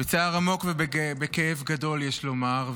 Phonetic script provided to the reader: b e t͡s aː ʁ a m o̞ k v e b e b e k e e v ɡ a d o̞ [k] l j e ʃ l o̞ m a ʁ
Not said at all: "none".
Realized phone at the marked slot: none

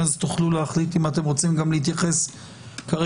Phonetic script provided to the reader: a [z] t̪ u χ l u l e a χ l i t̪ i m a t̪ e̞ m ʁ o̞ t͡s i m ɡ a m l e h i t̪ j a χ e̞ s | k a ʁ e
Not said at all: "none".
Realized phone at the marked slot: z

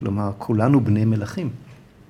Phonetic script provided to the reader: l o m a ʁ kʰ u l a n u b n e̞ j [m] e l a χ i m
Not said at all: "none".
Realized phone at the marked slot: m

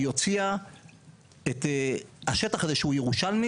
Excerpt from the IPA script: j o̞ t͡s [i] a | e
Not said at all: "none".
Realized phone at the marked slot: i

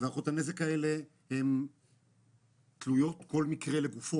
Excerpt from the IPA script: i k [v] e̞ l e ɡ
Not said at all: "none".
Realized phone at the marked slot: ʁ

